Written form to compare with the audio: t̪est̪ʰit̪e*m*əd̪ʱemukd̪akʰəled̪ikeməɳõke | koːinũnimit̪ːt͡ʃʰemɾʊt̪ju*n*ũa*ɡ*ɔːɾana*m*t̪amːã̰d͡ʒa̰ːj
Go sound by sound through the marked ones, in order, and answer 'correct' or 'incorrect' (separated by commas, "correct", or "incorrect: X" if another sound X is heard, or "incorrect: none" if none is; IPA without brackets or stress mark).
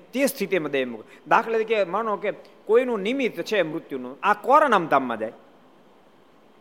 correct, correct, incorrect: k, correct